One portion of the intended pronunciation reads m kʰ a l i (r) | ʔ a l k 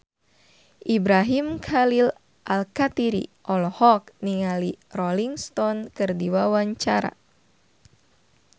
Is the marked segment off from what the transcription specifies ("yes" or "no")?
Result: yes